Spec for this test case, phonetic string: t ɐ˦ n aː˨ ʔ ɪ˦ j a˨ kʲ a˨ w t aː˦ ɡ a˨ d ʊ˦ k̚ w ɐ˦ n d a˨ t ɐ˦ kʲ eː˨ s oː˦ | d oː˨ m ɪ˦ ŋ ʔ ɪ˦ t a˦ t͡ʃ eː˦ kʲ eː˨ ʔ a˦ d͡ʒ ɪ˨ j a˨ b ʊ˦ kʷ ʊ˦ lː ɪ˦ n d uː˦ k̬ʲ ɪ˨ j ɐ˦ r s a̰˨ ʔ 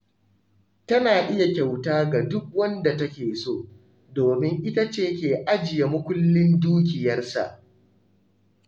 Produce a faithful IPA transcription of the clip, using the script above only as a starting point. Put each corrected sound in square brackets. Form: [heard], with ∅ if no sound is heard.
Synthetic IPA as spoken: t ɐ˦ n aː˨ ʔ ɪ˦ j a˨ kʲ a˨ w t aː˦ ɡ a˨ d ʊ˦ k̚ w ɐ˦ n d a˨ t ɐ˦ kʲ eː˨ s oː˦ | d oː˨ m ɪ˦ ŋ ʔ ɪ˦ t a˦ t͡ʃ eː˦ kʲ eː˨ ʔ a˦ d͡ʒ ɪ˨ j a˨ [m] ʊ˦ kʷ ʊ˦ lː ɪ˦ n d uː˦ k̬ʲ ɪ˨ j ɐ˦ r s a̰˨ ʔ